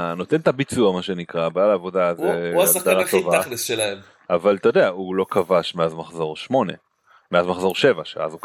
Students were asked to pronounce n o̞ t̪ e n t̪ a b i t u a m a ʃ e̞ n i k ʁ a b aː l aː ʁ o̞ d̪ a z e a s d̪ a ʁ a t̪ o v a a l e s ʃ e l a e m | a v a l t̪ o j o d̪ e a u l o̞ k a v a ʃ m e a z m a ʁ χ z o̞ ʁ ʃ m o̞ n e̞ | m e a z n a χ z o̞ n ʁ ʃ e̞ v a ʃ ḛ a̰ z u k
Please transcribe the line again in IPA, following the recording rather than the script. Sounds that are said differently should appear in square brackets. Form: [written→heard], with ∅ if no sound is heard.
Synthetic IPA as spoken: n o̞ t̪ e n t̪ a b i [t→t͡s] u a m a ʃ e̞ n i k ʁ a b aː l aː [ʁ→v] o̞ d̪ a z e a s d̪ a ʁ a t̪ o v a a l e s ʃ e l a e m | a v a l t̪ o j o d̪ e a u l o̞ k a v a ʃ m e a z m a [ʁ→∅] χ z o̞ ʁ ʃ m o̞ n e̞ | m e a z [n→m] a χ z o̞ [n→∅] ʁ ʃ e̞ v a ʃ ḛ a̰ z u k